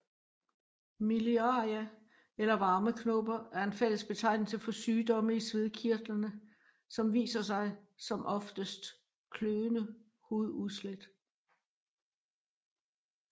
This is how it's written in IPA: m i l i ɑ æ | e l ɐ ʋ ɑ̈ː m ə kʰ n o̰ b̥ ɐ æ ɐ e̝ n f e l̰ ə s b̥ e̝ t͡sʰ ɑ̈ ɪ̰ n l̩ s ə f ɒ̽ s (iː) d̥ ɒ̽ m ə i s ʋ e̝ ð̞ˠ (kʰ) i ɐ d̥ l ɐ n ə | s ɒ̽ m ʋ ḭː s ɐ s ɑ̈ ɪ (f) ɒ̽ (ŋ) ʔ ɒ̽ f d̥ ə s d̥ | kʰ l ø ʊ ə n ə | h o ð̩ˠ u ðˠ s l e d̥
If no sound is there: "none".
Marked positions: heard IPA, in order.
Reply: yː, kʰ, s, m

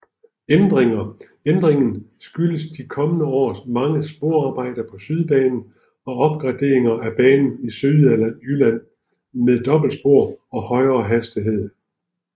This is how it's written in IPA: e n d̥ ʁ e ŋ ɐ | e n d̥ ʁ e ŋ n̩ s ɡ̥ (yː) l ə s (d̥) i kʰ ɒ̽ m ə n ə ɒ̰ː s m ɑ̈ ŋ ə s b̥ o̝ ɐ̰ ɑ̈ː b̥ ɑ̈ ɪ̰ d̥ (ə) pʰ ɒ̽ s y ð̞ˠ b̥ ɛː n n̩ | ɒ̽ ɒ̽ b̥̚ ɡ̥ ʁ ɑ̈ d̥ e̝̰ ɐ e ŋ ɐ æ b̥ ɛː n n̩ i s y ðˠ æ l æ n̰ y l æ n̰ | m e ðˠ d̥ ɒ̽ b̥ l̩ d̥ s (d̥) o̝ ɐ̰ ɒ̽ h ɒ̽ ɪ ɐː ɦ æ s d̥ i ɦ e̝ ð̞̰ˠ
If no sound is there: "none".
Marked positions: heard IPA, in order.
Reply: y, d̥, ɐ, b̥

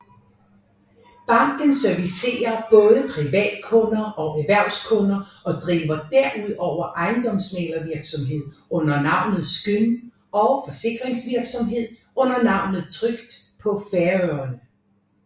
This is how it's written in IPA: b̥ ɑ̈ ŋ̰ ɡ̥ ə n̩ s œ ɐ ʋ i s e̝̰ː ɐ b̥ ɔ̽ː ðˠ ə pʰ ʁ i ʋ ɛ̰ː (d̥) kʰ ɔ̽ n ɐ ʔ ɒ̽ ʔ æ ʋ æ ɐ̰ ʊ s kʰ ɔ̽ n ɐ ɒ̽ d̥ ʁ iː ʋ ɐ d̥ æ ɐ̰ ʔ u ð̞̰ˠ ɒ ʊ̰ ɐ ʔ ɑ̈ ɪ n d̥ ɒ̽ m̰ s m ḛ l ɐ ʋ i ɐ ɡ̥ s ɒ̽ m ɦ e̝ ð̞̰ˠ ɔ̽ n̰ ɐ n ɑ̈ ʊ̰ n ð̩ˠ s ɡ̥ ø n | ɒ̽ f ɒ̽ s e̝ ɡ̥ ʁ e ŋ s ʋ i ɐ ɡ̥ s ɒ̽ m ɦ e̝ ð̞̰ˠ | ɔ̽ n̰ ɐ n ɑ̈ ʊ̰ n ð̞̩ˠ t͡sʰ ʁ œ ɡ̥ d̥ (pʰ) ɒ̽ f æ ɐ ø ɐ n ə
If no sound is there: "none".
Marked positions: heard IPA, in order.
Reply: d̥, pʰ

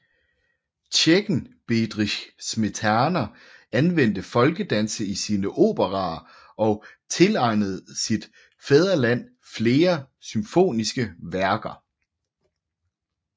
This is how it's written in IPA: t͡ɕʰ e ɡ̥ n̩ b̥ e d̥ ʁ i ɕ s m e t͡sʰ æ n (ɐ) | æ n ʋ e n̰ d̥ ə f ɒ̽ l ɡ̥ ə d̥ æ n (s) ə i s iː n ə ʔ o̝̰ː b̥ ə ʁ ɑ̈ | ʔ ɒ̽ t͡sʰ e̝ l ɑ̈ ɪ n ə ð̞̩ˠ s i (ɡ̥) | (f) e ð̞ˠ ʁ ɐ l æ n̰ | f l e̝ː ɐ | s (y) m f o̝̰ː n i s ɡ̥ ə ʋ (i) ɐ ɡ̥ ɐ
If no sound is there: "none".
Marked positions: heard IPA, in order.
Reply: ɐ, s, d̥, f, y, æ

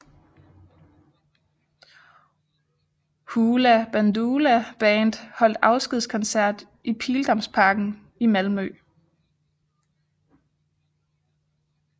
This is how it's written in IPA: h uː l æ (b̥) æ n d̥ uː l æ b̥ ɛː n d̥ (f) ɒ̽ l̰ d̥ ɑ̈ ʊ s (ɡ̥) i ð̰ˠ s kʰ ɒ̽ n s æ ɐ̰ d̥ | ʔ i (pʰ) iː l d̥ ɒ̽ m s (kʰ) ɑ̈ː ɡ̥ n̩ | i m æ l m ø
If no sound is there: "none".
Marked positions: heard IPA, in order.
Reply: b̥, h, ɡ̥, pʰ, pʰ

